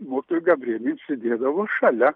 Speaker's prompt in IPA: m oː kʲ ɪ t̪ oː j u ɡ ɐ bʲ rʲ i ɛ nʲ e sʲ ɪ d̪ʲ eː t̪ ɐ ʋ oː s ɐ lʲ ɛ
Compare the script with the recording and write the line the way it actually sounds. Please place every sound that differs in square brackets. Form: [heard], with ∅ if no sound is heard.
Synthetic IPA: m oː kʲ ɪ t̪ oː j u ɡ ɐ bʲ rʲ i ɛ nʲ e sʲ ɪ d̪ʲ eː [d̪] ɐ ʋ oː [ʃ] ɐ lʲ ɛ